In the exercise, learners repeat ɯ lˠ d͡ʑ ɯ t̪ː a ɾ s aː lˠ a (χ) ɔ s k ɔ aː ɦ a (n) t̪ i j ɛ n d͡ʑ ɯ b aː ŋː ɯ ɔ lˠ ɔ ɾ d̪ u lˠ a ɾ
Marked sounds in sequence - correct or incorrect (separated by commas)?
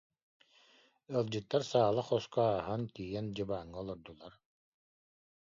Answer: correct, correct